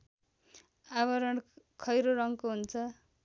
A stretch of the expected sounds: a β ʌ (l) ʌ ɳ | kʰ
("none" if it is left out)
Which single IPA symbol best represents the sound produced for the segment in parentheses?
ɾ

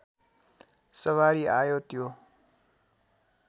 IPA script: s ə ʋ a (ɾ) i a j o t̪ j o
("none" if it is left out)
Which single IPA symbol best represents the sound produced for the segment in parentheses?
ɾ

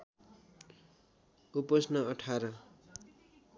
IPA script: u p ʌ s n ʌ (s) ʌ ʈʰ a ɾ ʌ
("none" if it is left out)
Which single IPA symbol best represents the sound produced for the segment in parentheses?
none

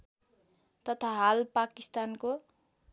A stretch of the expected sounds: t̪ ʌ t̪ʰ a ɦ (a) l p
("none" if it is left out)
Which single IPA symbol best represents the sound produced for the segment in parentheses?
a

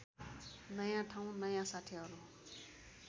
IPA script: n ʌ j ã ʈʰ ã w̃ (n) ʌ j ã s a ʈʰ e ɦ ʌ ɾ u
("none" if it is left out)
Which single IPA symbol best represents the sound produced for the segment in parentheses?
n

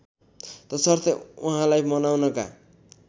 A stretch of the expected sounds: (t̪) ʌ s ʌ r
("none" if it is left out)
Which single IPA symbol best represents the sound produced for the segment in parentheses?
t̪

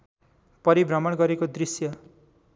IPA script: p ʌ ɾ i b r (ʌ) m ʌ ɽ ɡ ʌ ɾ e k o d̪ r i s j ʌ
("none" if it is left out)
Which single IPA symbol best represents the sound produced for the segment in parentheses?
ʌ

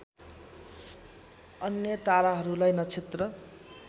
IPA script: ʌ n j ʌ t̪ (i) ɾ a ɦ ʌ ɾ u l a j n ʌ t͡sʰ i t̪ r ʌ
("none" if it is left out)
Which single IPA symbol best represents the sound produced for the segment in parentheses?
a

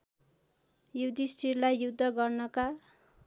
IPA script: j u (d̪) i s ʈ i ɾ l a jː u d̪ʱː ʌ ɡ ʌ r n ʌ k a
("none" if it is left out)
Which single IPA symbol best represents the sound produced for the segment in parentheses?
d̪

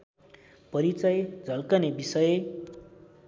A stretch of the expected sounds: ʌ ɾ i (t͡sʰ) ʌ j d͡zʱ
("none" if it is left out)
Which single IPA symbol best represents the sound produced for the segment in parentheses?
t͡s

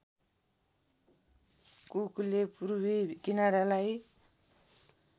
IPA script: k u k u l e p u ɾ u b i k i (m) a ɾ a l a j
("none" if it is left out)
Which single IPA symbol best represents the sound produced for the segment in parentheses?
n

